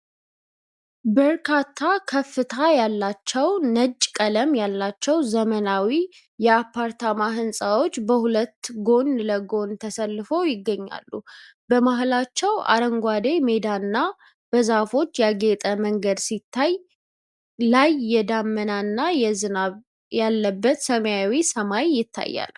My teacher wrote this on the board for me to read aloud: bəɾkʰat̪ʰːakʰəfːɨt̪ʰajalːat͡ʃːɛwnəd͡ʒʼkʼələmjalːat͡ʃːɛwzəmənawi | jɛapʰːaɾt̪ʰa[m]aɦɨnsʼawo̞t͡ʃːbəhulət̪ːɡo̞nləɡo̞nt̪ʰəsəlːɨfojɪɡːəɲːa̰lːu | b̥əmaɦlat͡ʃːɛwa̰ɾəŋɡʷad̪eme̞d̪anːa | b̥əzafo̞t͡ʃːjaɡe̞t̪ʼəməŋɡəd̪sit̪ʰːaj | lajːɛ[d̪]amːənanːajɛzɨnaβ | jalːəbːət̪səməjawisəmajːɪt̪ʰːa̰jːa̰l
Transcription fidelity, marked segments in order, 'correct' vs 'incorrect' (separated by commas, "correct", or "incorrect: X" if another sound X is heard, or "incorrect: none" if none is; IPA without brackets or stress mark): correct, correct